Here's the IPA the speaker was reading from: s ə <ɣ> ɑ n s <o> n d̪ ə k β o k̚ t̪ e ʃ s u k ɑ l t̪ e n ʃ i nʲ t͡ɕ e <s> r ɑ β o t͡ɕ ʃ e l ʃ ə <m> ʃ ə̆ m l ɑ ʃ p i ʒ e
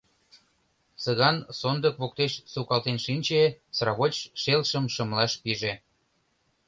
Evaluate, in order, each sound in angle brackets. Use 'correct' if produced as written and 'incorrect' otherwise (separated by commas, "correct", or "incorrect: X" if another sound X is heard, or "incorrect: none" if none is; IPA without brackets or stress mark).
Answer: correct, correct, correct, correct